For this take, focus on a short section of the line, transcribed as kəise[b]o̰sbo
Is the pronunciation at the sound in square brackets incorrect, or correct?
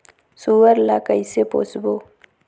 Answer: incorrect